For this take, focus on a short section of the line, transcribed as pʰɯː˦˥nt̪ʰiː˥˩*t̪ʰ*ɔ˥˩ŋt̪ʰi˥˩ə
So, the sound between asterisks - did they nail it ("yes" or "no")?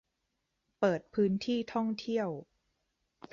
yes